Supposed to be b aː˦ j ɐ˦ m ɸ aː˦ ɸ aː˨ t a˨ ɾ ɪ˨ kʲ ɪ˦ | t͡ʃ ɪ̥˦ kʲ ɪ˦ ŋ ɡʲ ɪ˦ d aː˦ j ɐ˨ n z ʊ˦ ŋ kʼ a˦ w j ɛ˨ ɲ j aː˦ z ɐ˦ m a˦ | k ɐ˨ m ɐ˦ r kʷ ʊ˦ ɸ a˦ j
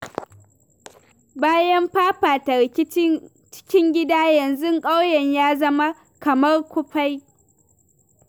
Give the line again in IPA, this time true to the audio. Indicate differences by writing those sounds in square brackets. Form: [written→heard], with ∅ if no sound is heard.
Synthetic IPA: b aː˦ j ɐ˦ m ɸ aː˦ ɸ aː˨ t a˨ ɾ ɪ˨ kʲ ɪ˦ | t͡ʃ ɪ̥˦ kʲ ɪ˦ ŋ ɡʲ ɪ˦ d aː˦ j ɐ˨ n z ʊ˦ ŋ kʼ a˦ w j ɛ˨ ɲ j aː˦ z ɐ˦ m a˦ | k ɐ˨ m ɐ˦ r kʷ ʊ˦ ɸ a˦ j